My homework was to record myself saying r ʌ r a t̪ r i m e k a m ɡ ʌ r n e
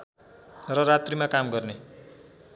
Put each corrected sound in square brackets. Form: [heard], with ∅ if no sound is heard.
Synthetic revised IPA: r ʌ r a t̪ r i m [a] k a m ɡ ʌ r n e

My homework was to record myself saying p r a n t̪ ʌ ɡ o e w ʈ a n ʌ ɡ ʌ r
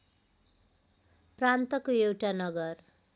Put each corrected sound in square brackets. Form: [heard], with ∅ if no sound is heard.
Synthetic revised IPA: p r a n t̪ ʌ [k] o e w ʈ a n ʌ ɡ ʌ r

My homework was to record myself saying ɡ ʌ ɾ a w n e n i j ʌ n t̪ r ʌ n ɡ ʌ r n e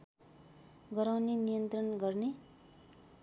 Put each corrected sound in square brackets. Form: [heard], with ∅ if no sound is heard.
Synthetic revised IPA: ɡ ʌ ɾ a w n e n i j ʌ n t̪ r ʌ n ɡ ʌ r n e

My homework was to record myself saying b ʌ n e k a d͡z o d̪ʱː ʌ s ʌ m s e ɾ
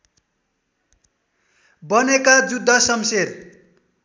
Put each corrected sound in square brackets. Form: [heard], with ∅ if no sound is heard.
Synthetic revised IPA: b ʌ n e k a d͡z [u] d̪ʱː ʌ s ʌ m s e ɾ

